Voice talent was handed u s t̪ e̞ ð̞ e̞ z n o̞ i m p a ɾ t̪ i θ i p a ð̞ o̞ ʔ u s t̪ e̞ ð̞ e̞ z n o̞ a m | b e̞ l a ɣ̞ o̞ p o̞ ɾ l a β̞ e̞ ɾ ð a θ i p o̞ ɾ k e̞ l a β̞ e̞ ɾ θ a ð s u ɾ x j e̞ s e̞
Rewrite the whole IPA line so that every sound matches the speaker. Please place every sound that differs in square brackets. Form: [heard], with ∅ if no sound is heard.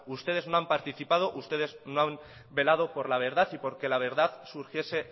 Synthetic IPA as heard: u s t̪ e̞ ð̞ e̞ z n o̞ [a] m p a ɾ t̪ i θ i p a ð̞ o̞ ʔ u s t̪ e̞ ð̞ e̞ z n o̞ a m | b e̞ l a [ð̞] o̞ p o̞ ɾ l a β̞ e̞ ɾ ð a θ i p o̞ ɾ k e̞ l a β̞ e̞ ɾ [ð] a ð s u ɾ x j e̞ s e̞